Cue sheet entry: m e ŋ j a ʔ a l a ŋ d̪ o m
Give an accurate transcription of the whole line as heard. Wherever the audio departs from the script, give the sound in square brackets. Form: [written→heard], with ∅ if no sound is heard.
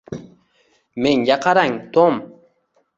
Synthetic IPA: m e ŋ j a [ʔ→q] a [l→ɾ] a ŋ [d̪→t̪] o m